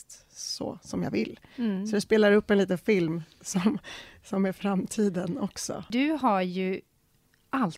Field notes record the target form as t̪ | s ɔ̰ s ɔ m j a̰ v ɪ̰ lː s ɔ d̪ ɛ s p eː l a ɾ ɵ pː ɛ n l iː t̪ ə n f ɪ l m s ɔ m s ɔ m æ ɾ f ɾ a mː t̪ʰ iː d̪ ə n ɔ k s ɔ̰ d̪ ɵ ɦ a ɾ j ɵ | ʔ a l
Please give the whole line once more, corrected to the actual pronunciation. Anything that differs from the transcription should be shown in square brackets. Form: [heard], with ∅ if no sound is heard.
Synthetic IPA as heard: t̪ | s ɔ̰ s ɔ m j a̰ v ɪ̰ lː s ɔ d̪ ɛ s p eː l a ɾ ɵ pː ɛ n l iː t̪ ə n f ɪ l m s ɔ m s ɔ m æ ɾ f ɾ a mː t̪ʰ iː d̪ ə n ɔ k s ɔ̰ d̪ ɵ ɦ a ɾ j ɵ | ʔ a l